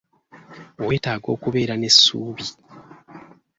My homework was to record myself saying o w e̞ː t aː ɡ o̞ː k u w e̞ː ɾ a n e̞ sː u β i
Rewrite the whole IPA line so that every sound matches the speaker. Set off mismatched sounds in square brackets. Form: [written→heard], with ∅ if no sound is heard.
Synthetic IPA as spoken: o w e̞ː t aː ɡ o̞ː k u [w→β] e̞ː ɾ a n e̞ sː [u→uː] β i